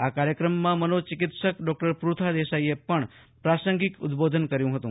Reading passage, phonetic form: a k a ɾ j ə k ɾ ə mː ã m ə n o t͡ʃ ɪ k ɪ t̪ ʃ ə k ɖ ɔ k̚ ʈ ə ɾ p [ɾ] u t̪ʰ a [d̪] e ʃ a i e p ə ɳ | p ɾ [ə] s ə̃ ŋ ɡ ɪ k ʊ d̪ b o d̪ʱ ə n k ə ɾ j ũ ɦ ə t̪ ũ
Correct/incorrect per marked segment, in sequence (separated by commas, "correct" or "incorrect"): correct, correct, incorrect